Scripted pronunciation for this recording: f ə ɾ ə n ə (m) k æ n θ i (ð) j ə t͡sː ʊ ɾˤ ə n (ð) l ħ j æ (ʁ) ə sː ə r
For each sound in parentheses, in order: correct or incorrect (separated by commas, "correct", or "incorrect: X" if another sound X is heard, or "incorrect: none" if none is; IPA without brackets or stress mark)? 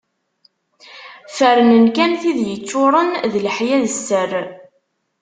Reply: incorrect: n, correct, correct, incorrect: ð